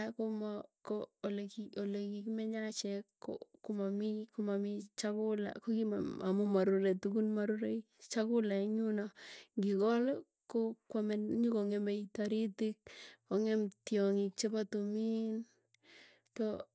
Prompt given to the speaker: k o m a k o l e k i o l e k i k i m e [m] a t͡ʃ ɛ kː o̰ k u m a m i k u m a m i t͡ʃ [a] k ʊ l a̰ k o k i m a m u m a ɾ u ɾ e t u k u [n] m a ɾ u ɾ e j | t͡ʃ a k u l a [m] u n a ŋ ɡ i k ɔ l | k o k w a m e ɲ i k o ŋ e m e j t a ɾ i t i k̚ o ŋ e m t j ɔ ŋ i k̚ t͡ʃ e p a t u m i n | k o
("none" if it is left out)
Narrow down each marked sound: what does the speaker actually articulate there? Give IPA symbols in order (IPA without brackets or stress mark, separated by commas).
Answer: ɲ, a, n, ɲ